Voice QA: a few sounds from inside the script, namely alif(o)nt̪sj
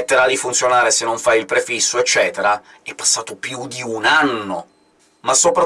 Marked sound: incorrect: u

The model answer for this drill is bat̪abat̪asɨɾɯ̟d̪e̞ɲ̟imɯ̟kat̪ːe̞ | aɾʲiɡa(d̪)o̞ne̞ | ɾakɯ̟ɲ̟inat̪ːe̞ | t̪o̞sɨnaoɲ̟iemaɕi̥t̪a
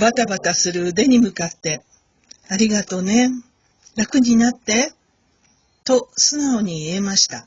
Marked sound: incorrect: t̪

